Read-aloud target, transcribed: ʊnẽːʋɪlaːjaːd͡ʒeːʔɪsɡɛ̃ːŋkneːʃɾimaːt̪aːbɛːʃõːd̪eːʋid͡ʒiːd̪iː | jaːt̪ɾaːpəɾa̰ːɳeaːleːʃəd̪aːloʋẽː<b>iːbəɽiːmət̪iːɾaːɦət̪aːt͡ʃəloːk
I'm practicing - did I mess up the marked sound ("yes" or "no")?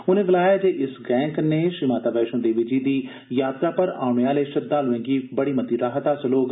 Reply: yes